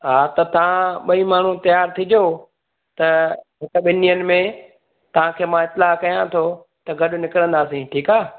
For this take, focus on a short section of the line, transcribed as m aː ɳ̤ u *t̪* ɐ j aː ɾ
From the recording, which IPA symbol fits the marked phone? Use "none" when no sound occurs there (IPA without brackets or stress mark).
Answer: t̪